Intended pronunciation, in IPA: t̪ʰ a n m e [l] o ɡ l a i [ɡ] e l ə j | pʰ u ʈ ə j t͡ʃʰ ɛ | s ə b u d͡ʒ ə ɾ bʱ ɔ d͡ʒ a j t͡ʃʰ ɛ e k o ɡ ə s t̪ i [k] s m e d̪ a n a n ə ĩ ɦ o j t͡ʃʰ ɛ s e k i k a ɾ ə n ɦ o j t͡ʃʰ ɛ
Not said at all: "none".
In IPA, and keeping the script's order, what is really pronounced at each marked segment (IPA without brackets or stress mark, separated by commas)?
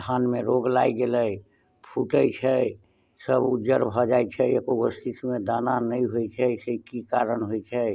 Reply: ɾ, ɡ, none